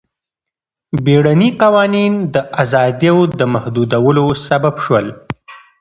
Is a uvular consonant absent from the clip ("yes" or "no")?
no